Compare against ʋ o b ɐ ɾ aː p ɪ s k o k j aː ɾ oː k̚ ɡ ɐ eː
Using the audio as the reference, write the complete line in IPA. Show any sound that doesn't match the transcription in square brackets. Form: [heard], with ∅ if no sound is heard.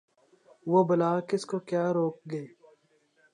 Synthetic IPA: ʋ o b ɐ [l] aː [k] ɪ s k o k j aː ɾ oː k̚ ɡ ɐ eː